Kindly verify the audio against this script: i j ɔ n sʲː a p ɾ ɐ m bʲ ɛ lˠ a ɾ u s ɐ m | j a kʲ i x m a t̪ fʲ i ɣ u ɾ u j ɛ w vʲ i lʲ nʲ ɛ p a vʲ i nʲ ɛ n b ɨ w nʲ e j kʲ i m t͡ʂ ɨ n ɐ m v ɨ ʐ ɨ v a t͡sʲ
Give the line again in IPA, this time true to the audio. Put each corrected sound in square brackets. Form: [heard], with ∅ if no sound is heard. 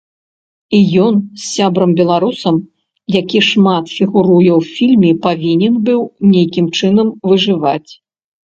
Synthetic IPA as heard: i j ɔ n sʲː a [b] ɾ ɐ m bʲ ɛ lˠ a ɾ u s ɐ m | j a kʲ i [ʂ] m a t̪ fʲ i ɣ u ɾ u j ɛ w [fʲ] i lʲ [mʲ] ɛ p a vʲ i nʲ ɛ n b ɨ w nʲ e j kʲ i m t͡ʂ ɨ n ɐ m v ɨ ʐ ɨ v a t͡sʲ